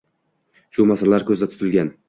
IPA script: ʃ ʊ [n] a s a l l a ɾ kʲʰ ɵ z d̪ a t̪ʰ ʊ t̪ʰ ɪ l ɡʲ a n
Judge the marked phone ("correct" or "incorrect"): incorrect